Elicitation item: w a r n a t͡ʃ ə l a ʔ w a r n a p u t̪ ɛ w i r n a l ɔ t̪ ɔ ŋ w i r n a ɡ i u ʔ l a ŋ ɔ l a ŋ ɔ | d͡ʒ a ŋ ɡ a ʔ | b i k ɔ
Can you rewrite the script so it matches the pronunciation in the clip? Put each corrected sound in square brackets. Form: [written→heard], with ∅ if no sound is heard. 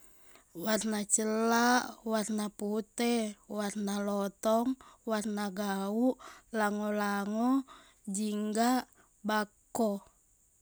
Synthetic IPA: w a r n a t͡ʃ ə l a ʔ w a r n a p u t̪ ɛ w [i→a] r n a l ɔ t̪ ɔ ŋ w [i→a] r n a ɡ [i→a] u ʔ l a ŋ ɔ l a ŋ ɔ | d͡ʒ [a→i] ŋ ɡ a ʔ | b [i→a] k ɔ